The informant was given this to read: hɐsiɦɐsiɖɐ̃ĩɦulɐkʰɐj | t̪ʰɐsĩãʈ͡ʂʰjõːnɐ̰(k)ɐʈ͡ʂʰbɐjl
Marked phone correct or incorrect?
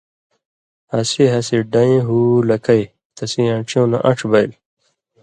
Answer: incorrect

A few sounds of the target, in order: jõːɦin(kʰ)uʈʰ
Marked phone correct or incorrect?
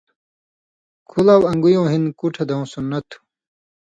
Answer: incorrect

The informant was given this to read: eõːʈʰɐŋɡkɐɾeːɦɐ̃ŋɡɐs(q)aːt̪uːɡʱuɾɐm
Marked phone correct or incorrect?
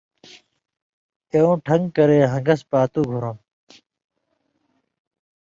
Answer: incorrect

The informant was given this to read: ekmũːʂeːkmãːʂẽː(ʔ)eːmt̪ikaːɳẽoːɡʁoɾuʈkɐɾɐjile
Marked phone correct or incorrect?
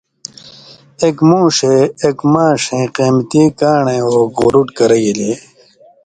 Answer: incorrect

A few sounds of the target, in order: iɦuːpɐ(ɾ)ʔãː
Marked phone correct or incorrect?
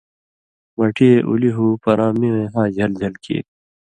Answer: correct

